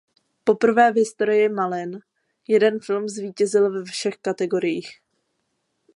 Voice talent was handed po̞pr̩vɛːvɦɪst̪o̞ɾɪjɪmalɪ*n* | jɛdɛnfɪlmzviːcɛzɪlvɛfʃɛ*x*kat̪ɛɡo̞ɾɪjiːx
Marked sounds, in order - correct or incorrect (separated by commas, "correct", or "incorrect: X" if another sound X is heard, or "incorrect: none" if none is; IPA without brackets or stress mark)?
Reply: correct, correct